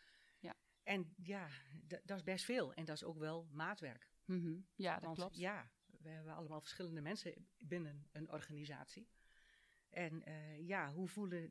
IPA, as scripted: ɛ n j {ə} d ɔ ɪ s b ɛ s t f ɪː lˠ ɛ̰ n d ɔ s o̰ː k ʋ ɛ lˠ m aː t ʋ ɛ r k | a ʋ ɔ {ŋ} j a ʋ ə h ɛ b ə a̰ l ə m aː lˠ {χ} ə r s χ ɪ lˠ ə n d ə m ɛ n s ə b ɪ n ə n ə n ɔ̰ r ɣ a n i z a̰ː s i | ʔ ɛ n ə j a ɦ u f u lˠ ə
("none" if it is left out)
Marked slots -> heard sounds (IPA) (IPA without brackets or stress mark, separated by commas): a, n, f